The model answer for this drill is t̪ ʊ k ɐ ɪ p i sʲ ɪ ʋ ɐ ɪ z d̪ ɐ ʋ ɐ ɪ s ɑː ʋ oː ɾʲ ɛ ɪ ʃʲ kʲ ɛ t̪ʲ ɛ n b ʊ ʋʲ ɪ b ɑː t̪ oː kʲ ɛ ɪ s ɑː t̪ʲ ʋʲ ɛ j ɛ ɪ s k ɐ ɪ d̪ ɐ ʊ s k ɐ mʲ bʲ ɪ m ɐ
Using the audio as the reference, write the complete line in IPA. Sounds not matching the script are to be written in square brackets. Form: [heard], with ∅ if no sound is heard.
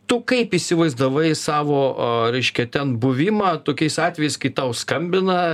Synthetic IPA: t̪ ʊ k ɐ ɪ p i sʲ ɪ ʋ ɐ ɪ z d̪ ɐ ʋ ɐ ɪ s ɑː ʋ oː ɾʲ ɛ ɪ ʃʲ kʲ ɛ t̪ʲ ɛ n b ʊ ʋʲ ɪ [m] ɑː t̪ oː kʲ ɛ ɪ s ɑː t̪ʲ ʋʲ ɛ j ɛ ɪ s k ɐ ɪ [t̪] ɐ ʊ s k ɐ mʲ bʲ ɪ [n] ɐ